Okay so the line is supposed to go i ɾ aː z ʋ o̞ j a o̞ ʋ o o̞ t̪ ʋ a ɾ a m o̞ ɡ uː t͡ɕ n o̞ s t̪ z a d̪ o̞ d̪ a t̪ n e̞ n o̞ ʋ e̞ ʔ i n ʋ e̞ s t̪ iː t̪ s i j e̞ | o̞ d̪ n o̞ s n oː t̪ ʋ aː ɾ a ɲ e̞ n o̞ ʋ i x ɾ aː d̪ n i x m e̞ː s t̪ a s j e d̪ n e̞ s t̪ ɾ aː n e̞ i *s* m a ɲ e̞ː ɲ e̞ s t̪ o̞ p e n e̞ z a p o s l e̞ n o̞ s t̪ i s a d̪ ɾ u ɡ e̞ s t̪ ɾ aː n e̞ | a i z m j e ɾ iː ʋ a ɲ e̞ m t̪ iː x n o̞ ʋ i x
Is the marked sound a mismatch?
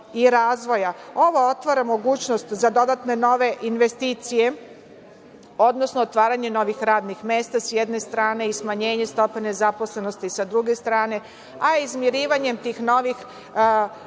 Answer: no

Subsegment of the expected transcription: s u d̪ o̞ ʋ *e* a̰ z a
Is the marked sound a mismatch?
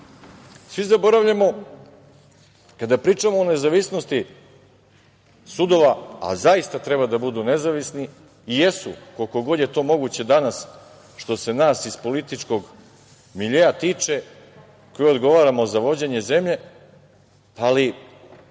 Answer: yes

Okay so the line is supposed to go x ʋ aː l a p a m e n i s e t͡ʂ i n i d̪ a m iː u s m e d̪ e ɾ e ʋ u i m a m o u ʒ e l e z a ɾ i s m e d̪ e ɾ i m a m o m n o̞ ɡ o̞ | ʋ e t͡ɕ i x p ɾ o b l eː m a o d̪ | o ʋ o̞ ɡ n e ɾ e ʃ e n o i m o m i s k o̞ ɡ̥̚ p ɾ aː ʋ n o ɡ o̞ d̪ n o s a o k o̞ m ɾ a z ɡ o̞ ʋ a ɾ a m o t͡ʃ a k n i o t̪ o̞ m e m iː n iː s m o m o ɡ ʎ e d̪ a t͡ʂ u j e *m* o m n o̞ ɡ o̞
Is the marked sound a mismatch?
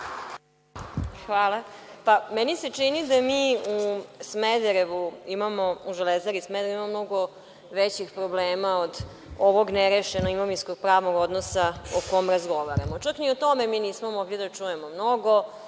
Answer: no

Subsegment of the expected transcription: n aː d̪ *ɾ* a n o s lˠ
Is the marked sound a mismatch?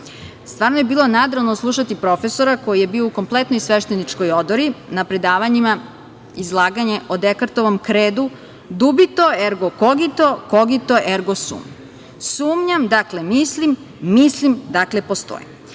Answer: no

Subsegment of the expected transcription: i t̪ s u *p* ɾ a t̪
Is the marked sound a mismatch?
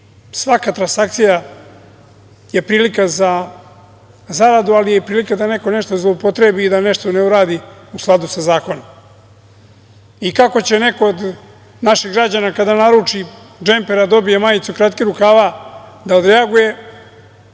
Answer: yes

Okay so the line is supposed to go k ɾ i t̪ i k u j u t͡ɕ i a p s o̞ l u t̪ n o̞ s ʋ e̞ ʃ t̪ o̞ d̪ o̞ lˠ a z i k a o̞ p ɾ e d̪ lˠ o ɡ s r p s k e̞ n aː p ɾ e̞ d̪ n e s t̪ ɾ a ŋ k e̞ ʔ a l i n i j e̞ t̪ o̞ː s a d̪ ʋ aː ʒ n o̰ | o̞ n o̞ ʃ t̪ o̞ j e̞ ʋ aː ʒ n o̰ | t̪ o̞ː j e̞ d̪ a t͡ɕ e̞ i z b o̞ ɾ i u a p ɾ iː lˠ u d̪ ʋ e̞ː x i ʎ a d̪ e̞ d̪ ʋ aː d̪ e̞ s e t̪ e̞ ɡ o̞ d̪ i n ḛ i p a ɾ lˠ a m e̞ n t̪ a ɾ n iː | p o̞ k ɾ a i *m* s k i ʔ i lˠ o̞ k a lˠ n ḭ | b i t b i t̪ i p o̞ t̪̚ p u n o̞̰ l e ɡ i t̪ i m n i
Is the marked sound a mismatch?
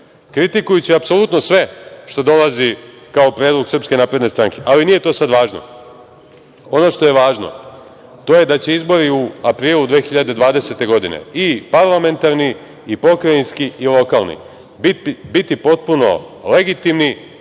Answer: yes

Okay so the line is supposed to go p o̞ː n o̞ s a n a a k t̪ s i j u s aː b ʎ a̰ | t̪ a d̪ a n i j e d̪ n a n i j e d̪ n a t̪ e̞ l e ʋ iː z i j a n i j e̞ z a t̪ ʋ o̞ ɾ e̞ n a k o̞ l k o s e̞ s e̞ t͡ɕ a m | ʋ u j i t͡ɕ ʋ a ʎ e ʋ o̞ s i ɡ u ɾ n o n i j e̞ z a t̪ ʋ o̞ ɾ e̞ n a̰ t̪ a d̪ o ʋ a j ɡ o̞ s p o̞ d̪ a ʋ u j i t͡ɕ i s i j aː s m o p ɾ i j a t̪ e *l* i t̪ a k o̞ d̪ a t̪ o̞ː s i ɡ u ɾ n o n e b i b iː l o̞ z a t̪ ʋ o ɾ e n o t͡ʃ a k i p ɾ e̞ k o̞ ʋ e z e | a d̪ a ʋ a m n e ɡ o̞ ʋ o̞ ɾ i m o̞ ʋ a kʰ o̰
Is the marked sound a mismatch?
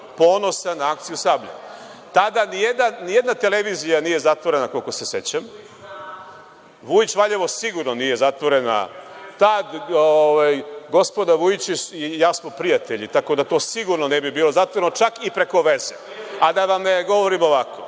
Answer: yes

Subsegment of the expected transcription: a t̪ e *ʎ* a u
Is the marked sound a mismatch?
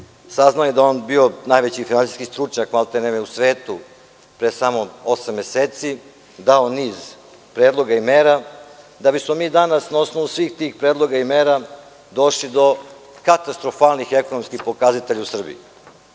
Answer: no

